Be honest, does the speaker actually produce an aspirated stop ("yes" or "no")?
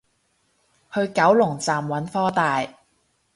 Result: no